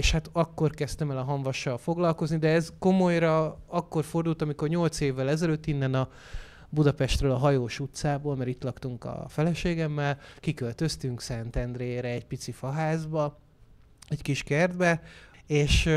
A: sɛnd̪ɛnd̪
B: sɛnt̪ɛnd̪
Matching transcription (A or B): B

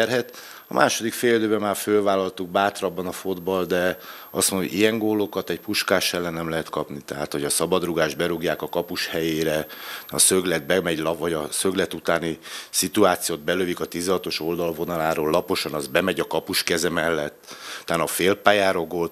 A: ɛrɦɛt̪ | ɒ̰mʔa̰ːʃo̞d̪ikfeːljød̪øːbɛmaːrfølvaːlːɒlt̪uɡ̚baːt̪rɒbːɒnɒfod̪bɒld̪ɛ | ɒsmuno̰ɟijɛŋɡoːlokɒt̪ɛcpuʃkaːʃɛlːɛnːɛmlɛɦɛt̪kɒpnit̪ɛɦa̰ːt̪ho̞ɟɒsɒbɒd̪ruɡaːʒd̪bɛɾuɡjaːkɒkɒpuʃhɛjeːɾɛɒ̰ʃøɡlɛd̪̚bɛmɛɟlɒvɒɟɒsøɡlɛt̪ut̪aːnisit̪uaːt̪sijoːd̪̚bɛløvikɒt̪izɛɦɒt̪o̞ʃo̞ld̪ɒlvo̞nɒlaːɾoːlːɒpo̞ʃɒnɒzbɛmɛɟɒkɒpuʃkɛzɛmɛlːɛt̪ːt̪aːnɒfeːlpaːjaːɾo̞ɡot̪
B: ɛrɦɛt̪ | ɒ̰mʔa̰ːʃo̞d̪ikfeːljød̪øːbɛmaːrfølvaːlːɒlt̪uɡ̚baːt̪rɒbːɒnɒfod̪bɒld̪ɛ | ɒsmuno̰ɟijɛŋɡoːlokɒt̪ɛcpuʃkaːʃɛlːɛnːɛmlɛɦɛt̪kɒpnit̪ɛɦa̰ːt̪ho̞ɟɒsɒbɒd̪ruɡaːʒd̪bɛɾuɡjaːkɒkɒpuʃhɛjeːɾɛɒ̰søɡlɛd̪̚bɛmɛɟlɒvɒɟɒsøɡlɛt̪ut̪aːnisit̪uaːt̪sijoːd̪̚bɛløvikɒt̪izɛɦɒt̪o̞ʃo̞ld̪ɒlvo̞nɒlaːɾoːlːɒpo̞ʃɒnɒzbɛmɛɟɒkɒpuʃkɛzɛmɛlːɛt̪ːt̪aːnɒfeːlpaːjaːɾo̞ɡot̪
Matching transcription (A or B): B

